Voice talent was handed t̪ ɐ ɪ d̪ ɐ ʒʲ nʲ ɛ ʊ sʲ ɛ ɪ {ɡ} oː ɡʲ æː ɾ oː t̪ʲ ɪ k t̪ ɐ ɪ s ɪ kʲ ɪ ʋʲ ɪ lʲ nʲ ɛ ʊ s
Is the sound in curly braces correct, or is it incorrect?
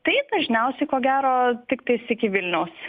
incorrect: k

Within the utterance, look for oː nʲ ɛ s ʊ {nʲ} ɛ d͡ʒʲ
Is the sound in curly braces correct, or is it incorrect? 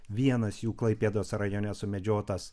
incorrect: mʲ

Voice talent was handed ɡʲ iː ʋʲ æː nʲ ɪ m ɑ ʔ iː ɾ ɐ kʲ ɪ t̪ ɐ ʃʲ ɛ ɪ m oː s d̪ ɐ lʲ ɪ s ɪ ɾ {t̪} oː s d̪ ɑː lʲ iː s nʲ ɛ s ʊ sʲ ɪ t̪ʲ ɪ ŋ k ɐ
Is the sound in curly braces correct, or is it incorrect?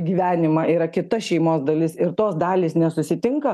correct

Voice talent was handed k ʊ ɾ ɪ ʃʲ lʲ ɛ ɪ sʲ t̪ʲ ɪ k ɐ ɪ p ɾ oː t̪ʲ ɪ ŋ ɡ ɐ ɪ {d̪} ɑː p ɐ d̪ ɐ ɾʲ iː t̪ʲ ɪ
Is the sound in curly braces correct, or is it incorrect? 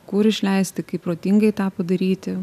incorrect: t̪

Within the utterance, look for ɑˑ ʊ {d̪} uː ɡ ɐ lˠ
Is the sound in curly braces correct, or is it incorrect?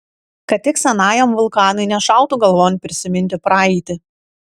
incorrect: t̪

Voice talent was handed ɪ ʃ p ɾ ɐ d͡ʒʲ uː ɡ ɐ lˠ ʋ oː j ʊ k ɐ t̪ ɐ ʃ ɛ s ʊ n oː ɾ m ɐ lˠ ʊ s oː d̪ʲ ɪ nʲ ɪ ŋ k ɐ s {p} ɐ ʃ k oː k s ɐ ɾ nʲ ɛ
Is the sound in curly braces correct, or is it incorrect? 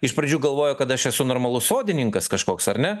incorrect: k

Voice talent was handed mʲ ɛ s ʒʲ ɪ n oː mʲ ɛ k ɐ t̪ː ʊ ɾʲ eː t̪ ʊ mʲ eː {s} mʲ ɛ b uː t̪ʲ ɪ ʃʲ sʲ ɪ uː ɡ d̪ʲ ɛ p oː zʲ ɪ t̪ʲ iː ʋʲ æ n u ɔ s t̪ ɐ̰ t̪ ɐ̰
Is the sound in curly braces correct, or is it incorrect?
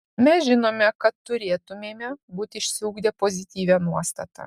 incorrect: none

